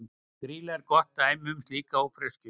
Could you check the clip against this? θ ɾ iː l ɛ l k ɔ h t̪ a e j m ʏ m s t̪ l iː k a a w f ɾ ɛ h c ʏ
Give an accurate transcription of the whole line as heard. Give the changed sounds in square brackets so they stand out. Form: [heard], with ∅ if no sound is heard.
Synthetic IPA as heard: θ ɾ iː l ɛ [ɾ] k ɔ h t̪ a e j m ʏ m s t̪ l iː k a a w f ɾ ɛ [s] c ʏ